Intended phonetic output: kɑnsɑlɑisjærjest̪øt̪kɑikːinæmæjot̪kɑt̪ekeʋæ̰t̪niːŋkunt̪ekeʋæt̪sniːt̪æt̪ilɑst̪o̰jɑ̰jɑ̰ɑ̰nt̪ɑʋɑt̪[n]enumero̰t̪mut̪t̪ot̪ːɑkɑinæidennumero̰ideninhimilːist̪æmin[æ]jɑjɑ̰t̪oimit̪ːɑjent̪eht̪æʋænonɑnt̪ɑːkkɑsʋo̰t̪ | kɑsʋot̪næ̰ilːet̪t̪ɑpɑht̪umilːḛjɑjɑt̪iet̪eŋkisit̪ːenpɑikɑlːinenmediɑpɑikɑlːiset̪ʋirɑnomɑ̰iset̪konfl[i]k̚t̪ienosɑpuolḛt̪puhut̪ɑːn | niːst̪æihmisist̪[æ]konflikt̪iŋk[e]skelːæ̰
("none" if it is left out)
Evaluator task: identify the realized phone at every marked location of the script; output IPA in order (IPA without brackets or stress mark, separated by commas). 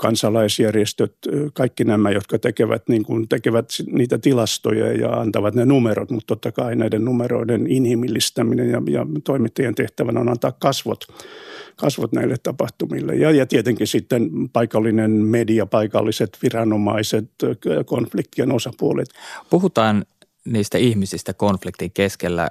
n, e, i, æ, e